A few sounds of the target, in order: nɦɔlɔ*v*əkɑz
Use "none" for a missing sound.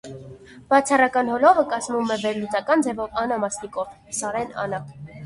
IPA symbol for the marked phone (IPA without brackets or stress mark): v